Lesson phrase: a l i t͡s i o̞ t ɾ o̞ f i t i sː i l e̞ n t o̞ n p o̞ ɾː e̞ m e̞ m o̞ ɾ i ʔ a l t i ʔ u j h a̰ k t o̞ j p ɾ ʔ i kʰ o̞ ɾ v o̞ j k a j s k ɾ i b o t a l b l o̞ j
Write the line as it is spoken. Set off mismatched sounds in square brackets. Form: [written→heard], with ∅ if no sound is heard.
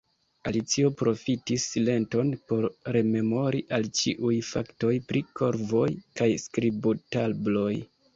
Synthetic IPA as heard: a l i t͡s i o̞ [t→p] ɾ o̞ f i t i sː i l e̞ n t o̞ n p o̞ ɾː e̞ m e̞ m o̞ ɾ i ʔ a l [t→t͡ʃ] i ʔ u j [h→f] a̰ k t o̞ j p ɾ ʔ i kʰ o̞ ɾ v o̞ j k a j s k ɾ i b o t a l b l o̞ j